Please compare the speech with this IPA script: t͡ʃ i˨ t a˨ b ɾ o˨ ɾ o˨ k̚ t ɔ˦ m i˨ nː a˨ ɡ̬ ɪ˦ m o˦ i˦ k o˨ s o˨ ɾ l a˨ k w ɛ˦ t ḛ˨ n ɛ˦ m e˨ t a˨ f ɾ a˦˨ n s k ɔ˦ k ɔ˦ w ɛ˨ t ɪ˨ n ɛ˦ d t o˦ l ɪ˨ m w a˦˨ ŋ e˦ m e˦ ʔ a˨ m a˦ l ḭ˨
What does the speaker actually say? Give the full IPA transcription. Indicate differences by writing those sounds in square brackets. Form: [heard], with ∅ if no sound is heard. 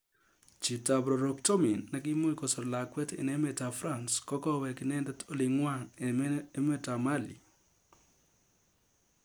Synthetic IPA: t͡ʃ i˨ t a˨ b ɾ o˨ ɾ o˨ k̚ t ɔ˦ m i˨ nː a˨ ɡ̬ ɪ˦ m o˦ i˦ k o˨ s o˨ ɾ l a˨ k w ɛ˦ t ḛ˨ n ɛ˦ m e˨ t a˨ f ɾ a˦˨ n s k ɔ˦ k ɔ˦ w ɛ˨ [k] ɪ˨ n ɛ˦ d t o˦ l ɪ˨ [ŋ] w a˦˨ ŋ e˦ m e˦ [t] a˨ m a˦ l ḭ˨